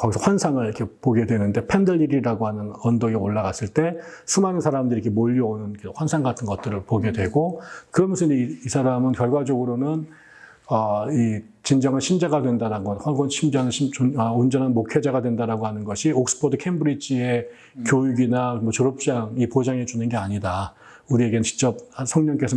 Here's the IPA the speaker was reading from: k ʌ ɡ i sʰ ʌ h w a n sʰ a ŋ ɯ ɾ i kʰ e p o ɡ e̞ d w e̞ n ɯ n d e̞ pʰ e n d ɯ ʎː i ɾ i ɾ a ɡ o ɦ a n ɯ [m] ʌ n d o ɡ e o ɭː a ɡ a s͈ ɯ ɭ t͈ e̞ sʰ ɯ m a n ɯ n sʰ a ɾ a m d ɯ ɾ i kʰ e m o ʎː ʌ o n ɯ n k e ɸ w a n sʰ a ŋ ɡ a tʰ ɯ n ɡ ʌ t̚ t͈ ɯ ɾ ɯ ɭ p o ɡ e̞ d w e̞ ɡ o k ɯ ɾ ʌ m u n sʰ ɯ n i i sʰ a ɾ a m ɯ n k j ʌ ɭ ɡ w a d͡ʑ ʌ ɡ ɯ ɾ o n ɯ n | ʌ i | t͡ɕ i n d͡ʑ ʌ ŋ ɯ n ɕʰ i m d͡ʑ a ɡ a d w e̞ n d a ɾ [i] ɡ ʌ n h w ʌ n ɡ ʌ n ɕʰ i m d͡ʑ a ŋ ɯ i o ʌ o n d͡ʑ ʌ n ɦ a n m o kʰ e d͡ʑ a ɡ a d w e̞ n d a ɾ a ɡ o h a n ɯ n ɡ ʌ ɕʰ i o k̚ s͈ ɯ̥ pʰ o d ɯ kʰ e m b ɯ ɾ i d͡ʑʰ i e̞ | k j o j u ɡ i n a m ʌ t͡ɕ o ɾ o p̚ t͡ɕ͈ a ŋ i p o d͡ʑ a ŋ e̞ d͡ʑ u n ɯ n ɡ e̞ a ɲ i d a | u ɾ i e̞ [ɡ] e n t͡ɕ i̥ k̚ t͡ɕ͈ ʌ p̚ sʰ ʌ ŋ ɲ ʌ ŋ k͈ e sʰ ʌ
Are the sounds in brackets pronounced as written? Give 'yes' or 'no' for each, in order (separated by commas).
no, no, yes